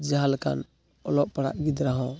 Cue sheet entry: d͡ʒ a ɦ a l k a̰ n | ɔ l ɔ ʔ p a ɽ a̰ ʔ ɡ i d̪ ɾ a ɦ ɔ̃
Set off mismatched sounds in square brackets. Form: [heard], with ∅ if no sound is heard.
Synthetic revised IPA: d͡ʒ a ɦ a l k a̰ n | ɔ l ɔ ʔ p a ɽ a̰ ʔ ɡ i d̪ ɾ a ɦ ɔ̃

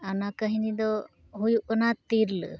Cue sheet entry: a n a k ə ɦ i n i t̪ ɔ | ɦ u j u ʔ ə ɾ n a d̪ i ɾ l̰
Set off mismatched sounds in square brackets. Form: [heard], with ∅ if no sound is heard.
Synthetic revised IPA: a n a k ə ɦ i n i [d̪] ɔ | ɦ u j u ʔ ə [∅] n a [t̪] i ɾ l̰

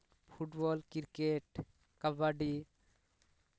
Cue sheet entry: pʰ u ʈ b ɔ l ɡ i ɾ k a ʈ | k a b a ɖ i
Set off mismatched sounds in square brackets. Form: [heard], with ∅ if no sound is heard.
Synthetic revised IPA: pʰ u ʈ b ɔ l [k] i ɾ k [e] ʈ | k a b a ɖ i

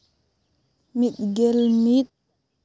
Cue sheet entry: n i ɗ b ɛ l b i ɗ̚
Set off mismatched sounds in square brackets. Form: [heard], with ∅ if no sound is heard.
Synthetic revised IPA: [m] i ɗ [ɡ] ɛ l [m] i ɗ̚

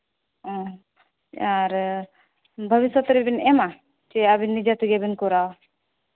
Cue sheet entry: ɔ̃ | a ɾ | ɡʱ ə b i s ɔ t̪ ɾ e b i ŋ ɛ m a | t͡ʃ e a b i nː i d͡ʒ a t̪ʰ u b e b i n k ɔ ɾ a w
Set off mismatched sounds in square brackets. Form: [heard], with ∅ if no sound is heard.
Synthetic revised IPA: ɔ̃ | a ɾ | [bʱ] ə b i s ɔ t̪ ɾ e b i [n] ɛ m a | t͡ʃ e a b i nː i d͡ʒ a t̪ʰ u [ɡ] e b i n k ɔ ɾ a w

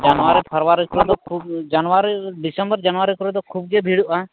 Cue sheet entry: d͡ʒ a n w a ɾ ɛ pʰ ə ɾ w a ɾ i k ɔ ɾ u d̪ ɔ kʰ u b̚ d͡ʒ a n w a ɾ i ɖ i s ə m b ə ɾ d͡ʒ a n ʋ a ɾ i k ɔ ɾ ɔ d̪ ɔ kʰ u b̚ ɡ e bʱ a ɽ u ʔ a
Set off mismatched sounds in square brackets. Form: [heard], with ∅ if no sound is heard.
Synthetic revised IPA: d͡ʒ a n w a ɾ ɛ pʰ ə ɾ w a ɾ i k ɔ ɾ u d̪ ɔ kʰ u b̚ d͡ʒ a n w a ɾ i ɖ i s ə m b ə ɾ d͡ʒ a n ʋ a ɾ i k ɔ ɾ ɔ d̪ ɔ kʰ u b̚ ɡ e bʱ [i] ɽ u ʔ a

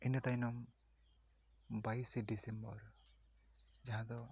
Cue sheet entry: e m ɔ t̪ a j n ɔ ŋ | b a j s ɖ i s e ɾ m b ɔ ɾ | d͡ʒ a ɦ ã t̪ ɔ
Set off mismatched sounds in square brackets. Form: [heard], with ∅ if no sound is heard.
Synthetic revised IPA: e [n] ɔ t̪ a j n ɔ [m] | b a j s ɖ i s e [∅] m b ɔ ɾ | d͡ʒ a ɦ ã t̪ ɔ

